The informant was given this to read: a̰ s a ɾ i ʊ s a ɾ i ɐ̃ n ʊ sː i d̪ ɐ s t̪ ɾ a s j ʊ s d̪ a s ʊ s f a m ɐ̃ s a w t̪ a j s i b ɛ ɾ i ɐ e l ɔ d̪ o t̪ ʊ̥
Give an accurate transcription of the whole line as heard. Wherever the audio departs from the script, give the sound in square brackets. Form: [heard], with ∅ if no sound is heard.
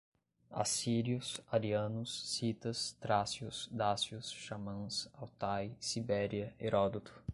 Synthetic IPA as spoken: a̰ s [i] ɾ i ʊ s a ɾ i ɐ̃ n ʊ sː i [t̪] ɐ s t̪ ɾ a s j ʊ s d̪ a s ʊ s [ʃ] a m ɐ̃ s a w t̪ a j s i b ɛ ɾ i ɐ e [ɾ] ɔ d̪ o t̪ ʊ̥

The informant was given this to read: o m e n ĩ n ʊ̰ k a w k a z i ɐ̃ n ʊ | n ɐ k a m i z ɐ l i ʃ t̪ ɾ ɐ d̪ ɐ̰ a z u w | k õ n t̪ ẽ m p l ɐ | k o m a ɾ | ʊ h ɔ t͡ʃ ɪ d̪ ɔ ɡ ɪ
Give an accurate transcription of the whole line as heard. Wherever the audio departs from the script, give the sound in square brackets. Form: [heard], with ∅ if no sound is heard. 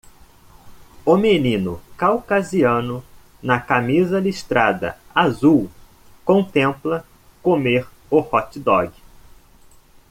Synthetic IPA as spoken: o m e n ĩ n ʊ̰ k a w k a z i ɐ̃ n ʊ | n ɐ k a m i z ɐ l i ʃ t̪ ɾ [a] d̪ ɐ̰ a z u w | k õ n t̪ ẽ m p l ɐ | k o m [e] ɾ | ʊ h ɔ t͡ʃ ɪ d̪ ɔ ɡ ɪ

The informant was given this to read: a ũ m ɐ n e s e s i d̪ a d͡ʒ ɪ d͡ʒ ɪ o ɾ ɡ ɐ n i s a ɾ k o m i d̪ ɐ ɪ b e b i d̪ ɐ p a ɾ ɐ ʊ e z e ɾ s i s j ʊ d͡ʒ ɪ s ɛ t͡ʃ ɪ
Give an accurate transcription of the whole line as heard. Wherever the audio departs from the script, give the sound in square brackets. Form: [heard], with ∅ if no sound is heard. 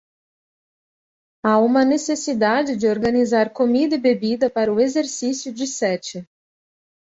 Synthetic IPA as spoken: a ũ m ɐ n e s e s i d̪ a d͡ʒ ɪ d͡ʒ ɪ o ɾ ɡ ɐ n i [z] a ɾ k o m i d̪ ɐ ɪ b e b i d̪ ɐ p a ɾ ɐ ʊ e z e ɾ s i s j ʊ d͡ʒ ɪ s ɛ t͡ʃ ɪ

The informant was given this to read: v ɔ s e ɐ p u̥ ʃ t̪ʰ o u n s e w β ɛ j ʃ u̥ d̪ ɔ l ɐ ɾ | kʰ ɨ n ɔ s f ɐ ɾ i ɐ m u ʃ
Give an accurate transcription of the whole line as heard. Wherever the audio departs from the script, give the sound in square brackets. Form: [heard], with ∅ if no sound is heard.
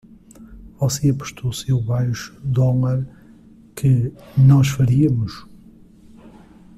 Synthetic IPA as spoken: v ɔ s e ɐ p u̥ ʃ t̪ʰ o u [∅] s e w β [a] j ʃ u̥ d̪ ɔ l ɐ ɾ | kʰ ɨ n ɔ [ʃ] f ɐ ɾ i ɐ m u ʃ

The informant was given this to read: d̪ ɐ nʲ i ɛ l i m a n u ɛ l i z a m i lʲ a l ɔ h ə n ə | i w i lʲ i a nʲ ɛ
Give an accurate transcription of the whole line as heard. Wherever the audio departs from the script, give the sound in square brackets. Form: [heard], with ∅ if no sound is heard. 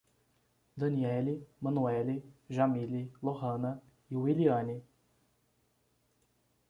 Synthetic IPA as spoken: d̪ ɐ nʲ i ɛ l i m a n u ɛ l i [ʒ] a m i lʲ [i] l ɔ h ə n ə | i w i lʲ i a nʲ [i]

